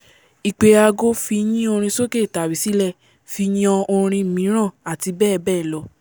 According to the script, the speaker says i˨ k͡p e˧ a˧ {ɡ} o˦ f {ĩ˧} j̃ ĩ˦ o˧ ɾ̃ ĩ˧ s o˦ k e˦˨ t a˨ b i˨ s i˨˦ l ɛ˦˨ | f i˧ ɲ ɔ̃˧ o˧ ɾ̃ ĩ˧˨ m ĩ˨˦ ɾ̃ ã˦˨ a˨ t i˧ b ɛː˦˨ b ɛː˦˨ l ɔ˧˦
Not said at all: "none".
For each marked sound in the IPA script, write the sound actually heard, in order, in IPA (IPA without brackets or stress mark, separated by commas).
ɡ, i˧